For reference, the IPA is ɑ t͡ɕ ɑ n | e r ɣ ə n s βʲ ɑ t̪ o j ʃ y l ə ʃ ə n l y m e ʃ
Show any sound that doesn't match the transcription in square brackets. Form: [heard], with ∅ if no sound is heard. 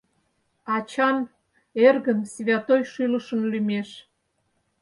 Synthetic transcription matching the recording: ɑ t͡ɕ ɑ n | e r ɣ ə n s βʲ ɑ t̪ o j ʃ y l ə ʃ ə n l y m e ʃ